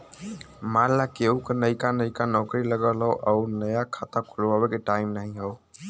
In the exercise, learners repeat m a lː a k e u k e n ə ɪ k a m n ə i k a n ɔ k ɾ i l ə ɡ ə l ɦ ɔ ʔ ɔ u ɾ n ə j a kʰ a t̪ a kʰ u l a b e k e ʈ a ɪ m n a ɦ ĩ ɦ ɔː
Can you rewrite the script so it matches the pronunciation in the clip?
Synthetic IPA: m a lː a k e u k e n ə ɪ k a n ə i k a n ɔ k ɾ i l ə ɡ ə l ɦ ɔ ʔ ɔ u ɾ n ə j a kʰ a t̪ a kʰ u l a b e k e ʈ a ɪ m n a ɦ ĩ ɦ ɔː